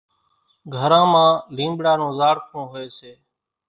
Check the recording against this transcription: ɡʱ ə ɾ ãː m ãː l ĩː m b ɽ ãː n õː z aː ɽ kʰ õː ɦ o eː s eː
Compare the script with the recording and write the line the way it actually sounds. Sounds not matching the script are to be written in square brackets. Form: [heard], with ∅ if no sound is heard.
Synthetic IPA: ɡʱ ə ɾ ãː m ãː l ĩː m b ɽ [aː] n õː z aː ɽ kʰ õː ɦ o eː s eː